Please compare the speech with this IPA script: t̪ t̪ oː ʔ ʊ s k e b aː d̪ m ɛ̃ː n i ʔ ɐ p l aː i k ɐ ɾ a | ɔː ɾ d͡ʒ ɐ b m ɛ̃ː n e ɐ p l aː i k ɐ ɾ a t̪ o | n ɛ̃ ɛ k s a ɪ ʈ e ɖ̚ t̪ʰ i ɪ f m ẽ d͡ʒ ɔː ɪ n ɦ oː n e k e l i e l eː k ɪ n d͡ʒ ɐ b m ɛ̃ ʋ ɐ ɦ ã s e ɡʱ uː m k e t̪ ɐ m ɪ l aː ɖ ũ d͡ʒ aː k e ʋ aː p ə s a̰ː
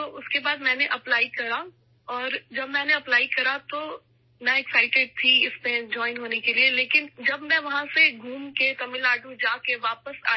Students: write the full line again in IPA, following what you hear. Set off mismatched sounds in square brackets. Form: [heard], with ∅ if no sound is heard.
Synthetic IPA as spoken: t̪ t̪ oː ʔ ʊ s k e b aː d̪ m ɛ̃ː n [e] ʔ ɐ p l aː i k ɐ ɾ a | ɔː ɾ d͡ʒ ɐ b m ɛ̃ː n e ɐ p l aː i k ɐ ɾ a t̪ o | n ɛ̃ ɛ k s a ɪ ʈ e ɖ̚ t̪ʰ i ɪ [s] m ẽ d͡ʒ ɔː ɪ n ɦ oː n e k e l i e l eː k ɪ n d͡ʒ ɐ b m ɛ̃ ʋ ɐ ɦ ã s e ɡʱ uː m k e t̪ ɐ m ɪ l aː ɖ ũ d͡ʒ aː k e ʋ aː p ə s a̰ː